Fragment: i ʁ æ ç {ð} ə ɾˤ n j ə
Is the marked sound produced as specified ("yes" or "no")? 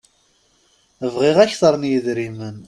no